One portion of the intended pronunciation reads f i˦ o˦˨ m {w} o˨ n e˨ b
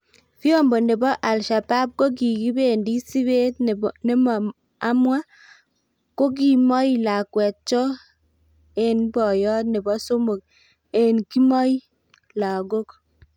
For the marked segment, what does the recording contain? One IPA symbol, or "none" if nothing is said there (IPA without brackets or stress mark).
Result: b